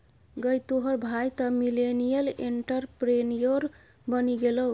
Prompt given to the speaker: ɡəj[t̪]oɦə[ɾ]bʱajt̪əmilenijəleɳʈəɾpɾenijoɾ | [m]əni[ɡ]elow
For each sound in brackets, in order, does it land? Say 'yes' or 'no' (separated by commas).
yes, yes, no, yes